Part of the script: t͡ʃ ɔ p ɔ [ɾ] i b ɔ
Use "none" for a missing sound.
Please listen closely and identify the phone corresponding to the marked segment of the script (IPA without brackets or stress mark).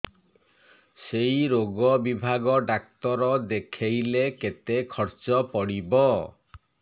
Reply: ɽ